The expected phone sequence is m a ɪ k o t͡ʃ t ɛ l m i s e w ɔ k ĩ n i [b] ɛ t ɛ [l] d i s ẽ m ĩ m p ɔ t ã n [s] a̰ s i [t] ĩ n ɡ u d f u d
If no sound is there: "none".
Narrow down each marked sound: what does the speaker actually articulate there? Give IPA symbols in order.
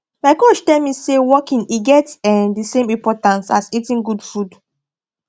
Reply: ɡ, none, s, t

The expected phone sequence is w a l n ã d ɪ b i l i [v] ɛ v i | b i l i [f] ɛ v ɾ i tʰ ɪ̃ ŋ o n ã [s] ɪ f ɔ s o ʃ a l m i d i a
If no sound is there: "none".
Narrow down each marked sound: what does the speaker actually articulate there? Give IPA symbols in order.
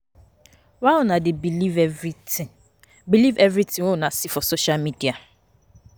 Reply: v, v, s

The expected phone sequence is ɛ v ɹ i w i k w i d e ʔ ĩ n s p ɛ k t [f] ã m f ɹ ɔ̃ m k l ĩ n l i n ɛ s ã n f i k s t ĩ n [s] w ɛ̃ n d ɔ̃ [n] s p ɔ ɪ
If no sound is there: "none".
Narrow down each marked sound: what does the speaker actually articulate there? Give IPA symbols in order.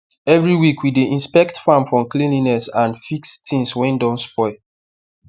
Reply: f, s, n

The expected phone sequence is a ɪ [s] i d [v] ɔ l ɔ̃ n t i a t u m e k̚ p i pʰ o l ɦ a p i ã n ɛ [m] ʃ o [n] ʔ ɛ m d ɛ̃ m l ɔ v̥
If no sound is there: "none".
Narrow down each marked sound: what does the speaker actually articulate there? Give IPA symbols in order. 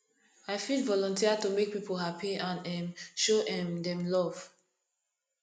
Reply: f, v, m, none

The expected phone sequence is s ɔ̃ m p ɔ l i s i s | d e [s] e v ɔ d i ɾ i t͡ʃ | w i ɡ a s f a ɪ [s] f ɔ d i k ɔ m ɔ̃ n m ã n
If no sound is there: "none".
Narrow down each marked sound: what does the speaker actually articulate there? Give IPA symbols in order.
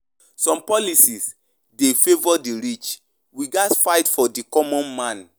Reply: f, t

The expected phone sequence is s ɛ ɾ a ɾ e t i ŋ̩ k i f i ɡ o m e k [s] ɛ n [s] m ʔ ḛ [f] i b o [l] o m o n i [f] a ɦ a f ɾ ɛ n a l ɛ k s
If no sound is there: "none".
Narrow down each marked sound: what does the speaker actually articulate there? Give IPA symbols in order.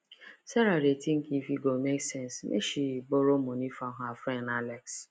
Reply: s, s, ʃ, ɾ, f

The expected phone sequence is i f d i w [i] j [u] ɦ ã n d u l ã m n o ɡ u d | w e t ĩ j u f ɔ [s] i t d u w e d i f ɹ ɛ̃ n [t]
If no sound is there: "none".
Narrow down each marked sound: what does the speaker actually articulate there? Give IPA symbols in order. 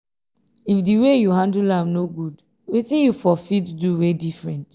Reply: e, u, f, t

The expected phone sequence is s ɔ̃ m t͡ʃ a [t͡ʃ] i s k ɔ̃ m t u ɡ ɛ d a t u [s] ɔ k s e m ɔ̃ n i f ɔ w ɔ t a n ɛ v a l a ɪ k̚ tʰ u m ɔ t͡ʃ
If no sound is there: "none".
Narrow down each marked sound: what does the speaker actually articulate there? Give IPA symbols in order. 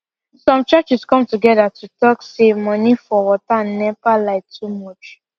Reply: t͡ʃ, t

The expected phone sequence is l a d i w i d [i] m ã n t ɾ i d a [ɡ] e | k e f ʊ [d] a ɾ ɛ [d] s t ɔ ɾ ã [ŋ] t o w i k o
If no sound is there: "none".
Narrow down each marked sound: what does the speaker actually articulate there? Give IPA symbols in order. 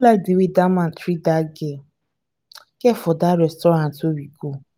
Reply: a, ɡ, d, none, n

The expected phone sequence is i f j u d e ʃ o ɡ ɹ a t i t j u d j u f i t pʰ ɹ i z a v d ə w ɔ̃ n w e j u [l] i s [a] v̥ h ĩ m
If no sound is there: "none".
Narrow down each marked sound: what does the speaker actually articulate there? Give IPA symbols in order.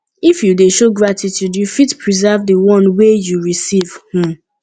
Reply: ɹ, i

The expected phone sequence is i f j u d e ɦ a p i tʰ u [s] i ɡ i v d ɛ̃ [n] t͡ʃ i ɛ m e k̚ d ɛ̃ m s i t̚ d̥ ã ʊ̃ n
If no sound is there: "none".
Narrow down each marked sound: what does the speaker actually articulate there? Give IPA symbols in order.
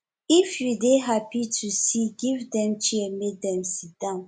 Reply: s, m

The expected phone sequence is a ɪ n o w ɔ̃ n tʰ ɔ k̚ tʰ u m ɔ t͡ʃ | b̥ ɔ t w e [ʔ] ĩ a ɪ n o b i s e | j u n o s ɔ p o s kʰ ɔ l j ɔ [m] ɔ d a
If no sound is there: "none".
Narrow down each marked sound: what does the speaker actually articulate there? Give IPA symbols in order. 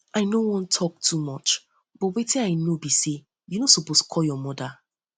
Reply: t, m

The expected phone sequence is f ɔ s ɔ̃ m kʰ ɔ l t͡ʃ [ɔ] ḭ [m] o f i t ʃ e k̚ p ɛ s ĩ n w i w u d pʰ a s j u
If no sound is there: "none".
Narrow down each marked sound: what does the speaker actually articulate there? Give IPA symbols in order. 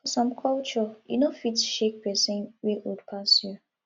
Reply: ɔ, n

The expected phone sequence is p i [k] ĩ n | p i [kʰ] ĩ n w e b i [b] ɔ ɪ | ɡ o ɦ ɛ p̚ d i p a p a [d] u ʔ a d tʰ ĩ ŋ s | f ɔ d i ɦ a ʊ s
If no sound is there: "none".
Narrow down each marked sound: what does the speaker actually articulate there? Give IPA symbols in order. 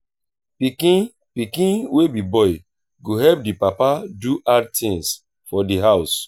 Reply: k, k, b, d

